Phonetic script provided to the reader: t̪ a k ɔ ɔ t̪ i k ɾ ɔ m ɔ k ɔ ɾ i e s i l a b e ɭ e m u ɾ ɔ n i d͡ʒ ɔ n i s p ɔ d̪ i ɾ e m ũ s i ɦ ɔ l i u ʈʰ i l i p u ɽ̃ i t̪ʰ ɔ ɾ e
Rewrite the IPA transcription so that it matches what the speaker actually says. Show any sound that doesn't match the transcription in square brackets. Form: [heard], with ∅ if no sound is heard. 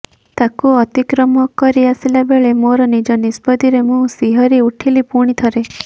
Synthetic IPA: t̪ a k [u] ɔ t̪ i k ɾ ɔ m ɔ k ɔ ɾ i [a] s i l a b e ɭ e m [o] ɾ ɔ n i d͡ʒ ɔ n i s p ɔ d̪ i ɾ e m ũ s i ɦ ɔ [ɾ] i u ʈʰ i l i p u ɽ̃ i t̪ʰ ɔ ɾ e